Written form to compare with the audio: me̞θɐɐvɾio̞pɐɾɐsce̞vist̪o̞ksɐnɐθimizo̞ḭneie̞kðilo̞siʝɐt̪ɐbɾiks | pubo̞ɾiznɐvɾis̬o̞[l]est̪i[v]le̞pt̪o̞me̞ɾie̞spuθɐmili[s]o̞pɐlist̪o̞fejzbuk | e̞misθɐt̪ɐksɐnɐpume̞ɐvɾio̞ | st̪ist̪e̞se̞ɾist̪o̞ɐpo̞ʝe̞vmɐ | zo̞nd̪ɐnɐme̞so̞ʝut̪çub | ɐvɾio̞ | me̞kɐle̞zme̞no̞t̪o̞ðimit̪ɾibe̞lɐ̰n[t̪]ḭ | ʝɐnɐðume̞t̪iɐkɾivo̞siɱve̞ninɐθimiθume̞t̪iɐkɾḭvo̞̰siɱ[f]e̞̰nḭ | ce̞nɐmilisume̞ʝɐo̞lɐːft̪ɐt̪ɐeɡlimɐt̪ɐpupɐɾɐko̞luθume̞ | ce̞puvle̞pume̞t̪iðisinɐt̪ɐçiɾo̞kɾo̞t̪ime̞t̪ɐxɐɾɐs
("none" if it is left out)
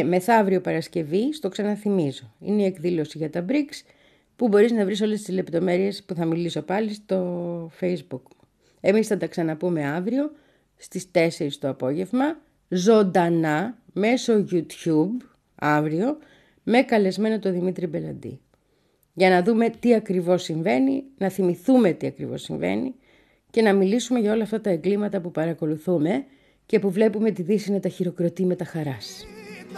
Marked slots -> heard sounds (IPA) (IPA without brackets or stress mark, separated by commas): l, z, s, d̪, v